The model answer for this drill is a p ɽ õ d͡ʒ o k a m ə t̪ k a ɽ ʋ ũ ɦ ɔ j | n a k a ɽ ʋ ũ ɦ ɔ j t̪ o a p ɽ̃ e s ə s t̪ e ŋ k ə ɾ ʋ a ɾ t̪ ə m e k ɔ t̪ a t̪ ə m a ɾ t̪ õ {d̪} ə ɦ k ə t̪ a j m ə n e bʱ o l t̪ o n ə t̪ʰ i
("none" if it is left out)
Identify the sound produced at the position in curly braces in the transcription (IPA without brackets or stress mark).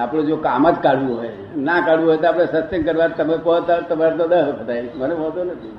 d̪